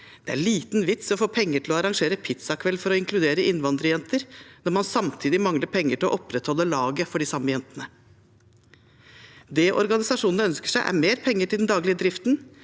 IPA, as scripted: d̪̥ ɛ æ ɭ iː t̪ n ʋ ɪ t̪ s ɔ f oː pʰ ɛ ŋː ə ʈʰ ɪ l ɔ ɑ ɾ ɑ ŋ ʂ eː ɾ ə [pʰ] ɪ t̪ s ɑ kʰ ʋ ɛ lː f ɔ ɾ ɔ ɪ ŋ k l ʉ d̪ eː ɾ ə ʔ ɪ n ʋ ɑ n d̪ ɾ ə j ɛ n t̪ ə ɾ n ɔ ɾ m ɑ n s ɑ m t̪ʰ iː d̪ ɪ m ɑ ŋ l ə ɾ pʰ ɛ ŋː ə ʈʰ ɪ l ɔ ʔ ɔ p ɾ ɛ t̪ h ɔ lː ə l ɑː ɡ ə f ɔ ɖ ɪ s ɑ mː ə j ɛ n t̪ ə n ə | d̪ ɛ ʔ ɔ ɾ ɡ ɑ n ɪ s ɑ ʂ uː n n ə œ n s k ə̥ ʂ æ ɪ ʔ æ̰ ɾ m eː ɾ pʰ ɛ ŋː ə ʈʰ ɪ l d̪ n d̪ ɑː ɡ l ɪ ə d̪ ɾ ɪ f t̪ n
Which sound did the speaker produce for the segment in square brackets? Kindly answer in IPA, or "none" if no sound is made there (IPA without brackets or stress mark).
pʰ